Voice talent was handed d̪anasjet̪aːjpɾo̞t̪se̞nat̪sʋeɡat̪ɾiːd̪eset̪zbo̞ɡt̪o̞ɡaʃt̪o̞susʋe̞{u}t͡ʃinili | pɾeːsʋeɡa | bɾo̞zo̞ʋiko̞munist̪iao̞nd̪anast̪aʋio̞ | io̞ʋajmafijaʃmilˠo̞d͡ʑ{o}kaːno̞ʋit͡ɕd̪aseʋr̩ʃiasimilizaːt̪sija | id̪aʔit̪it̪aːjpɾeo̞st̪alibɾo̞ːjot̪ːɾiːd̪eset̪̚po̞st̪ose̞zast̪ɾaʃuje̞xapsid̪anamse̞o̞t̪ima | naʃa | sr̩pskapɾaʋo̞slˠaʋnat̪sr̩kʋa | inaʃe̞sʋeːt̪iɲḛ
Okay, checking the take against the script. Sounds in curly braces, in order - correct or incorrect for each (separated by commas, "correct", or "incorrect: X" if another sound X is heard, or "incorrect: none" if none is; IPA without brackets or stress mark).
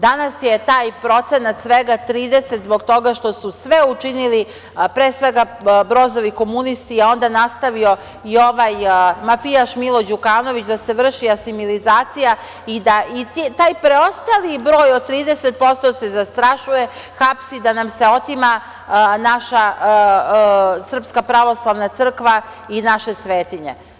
correct, incorrect: u